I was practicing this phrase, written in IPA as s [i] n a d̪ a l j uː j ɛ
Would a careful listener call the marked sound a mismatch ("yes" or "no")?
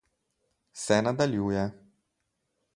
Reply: yes